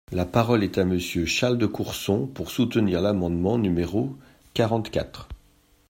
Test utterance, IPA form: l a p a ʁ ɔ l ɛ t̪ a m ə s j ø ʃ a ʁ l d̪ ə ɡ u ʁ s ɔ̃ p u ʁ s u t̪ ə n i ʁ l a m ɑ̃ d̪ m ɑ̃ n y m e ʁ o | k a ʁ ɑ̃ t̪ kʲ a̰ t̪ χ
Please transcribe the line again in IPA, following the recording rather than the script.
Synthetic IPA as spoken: l a p a ʁ ɔ l ɛ t̪ a m ə s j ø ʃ a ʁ l d̪ ə k u ʁ s ɔ̃ p u ʁ s u t̪ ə n i ʁ l a m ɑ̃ d̪ m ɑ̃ n y m e ʁ o | k a ʁ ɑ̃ t̪ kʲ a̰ t̪ χ

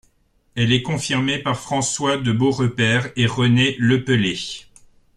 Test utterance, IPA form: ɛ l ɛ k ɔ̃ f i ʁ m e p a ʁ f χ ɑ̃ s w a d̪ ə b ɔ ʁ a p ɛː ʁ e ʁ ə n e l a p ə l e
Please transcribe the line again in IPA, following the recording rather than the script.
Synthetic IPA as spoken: ɛ l ɛ k ɔ̃ f i ʁ m e p a ʁ f χ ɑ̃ s w a d̪ ə b o ʁ ə p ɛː ʁ e ʁ ə n e l ə p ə l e

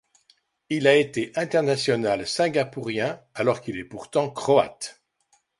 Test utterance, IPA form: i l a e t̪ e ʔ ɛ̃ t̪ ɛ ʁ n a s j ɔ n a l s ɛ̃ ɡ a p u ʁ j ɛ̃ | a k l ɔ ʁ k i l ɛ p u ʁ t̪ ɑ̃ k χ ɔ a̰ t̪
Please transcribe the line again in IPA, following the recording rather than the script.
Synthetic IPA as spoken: i l a e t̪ e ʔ ɛ̃ t̪ ɛ ʁ n a s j ɔ n a l s ɛ̃ ɡ a p u ʁ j ɛ̃ | a l ɔ ʁ k i l ɛ p u ʁ t̪ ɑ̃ k χ ɔ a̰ t̪

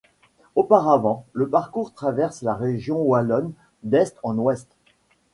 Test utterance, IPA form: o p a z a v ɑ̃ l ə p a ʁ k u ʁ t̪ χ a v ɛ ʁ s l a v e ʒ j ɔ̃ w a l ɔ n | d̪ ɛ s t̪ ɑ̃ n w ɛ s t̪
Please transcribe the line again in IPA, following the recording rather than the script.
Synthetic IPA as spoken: o p a ʁ a v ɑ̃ l ə p a ʁ k u ʁ t̪ χ a v ɛ ʁ s l a ʁ e ʒ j ɔ̃ w a l ɔ n | d̪ ɛ s t̪ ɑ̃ n w ɛ s t̪

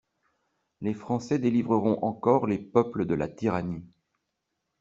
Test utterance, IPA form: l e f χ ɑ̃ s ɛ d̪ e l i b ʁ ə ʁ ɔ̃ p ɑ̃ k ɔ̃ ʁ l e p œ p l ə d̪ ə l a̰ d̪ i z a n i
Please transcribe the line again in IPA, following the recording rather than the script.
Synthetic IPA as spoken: l e f χ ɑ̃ s ɛ d̪ e l i v ʁ ə ʁ ɔ̃ ʔ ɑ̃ k ɔ ʁ l e p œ p l ə d̪ ə l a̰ t̪ i ʁ a n i

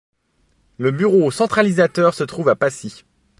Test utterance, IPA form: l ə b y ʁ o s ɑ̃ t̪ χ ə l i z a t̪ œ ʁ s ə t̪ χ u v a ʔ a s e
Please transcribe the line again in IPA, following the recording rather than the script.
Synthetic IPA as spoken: l ə b y ʁ o s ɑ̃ t̪ χ a l i z a t̪ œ ʁ s ə t̪ χ u v a p a s i

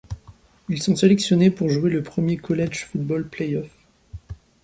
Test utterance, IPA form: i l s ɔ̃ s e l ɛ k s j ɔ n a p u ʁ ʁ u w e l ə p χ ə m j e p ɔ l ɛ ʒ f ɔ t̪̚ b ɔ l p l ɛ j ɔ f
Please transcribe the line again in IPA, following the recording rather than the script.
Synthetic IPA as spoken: i l s ɔ̃ s e l ɛ k s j ɔ n e p u ʁ ʒ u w e l ə p χ ə m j e k ɔ l ɛ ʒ f u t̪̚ b ɔ l p l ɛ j ɔ f

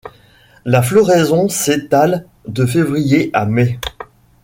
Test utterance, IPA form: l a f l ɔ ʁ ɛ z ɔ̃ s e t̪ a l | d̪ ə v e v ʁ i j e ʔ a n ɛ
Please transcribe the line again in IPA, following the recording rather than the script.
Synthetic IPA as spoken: l a f l ɔ ʁ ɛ z ɔ̃ s e t̪ a l | d̪ ə f e v ʁ i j e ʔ a m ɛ

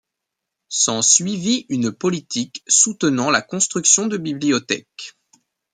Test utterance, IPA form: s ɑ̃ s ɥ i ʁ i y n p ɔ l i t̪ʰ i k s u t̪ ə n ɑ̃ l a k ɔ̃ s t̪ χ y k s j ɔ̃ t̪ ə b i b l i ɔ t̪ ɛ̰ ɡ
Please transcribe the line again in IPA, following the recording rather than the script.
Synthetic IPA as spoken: s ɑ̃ s ɥ i v i y n p ɔ l i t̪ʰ i k s u t̪ ə n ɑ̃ l a k ɔ̃ s t̪ χ y k s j ɔ̃ d̪ ə b i b l i ɔ t̪ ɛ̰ k

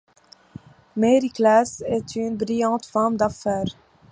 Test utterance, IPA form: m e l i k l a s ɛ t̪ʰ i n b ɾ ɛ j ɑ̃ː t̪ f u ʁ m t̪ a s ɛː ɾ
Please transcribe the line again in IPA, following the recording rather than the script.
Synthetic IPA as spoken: m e ɾ i k l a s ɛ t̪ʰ y n b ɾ i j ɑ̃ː t̪ f ɔ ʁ m d̪ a f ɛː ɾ

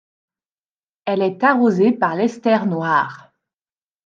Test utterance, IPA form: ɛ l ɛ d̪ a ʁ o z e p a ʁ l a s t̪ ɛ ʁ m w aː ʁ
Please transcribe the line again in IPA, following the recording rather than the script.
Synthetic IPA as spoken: ɛ l ɛ t̪ a ʁ o z e p a ʁ l ɛ s t̪ ɛ ʁ n w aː ʁ

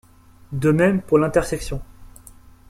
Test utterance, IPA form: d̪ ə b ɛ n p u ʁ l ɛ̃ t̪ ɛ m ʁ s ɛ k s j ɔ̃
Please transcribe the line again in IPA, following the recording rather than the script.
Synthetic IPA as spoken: d̪ ə m ɛ m p u ʁ l ɛ̃ t̪ ɛ ʁ s ɛ k s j ɔ̃

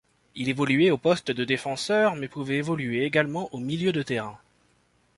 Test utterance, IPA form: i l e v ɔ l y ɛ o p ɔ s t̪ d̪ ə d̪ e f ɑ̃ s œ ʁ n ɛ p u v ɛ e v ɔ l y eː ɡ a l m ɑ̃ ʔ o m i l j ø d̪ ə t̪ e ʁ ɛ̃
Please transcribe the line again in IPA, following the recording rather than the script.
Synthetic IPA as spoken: i l e v ɔ l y ɛ o p ɔ s t̪ d̪ ə d̪ e f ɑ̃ s œ ʁ m ɛ p u v ɛ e v ɔ l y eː ɡ a l m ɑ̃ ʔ o m i l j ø d̪ ə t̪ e ʁ ɛ̃

